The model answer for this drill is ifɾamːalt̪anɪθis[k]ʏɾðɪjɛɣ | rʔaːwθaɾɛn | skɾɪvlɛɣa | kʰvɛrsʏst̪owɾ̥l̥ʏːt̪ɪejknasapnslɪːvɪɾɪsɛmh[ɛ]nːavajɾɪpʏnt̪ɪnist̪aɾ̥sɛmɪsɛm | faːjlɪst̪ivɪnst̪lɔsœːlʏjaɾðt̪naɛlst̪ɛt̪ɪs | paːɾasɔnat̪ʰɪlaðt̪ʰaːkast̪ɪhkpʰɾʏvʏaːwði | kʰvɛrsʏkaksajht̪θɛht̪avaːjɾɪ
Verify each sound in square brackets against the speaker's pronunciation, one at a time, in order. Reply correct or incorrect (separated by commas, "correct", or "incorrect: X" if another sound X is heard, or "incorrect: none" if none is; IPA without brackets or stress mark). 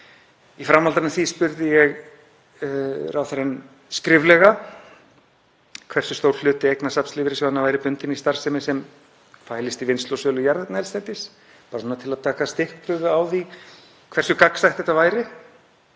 incorrect: p, incorrect: a